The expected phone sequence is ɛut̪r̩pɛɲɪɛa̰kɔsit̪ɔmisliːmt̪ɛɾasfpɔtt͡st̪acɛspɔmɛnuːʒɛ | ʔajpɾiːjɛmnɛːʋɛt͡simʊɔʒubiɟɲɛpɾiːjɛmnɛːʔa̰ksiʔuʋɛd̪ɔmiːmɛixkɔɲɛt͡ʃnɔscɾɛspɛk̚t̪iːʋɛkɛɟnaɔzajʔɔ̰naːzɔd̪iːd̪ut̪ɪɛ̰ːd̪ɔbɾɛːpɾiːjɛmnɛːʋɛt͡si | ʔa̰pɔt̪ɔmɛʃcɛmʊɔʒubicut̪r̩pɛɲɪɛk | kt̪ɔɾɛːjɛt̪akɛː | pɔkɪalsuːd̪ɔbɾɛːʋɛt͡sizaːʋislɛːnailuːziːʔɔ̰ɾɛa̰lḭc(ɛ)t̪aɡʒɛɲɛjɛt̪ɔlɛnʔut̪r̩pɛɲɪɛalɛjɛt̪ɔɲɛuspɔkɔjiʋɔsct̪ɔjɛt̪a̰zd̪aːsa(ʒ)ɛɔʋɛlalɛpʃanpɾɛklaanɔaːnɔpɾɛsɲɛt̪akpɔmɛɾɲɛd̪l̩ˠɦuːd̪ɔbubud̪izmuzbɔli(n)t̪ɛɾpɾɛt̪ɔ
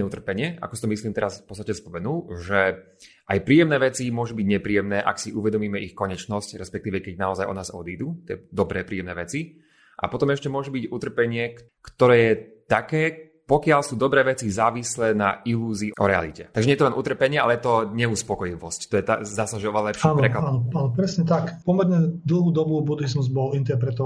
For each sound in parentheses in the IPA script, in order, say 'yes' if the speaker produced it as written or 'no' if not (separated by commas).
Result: yes, yes, yes